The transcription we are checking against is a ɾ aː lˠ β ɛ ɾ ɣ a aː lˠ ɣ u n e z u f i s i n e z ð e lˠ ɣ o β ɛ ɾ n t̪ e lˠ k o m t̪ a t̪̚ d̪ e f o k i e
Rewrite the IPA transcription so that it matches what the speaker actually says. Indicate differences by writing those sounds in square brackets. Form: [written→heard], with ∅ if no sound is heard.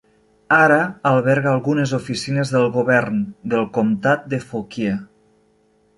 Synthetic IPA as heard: a ɾ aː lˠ β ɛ ɾ ɣ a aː lˠ ɣ u n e z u f i s i n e z ð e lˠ ɣ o β ɛ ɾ n [t̪→d̪] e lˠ k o m t̪ a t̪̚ d̪ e f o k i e